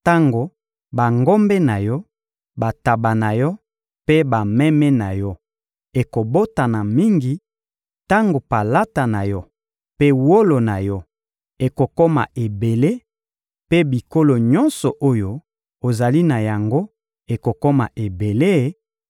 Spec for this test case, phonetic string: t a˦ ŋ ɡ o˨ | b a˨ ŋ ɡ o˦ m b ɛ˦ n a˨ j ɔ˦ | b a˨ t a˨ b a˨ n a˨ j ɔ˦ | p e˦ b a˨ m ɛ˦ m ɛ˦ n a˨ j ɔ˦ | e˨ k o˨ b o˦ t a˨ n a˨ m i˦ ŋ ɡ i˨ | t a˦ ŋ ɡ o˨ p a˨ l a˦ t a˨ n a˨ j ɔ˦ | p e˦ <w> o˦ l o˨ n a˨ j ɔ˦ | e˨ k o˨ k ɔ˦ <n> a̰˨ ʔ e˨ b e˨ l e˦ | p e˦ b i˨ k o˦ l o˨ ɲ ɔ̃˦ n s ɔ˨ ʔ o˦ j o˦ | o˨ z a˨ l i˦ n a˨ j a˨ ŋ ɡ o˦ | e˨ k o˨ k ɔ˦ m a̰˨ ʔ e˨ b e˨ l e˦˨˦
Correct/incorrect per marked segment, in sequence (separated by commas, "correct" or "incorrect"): correct, incorrect